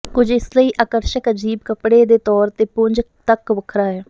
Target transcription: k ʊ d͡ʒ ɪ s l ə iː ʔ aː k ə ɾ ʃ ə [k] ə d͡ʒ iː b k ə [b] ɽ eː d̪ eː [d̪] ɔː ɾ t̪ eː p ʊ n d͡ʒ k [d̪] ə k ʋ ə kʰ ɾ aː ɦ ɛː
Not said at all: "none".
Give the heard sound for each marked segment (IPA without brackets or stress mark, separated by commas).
k, p, t̪, t̪